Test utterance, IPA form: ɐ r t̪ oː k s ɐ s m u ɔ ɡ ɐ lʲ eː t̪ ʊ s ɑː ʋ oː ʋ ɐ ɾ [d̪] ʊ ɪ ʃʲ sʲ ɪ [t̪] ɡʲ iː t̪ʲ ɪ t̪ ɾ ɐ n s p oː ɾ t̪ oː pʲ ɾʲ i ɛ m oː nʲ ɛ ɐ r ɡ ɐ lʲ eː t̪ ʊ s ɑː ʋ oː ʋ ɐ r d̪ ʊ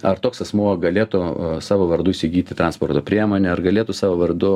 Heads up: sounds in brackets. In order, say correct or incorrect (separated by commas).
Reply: correct, incorrect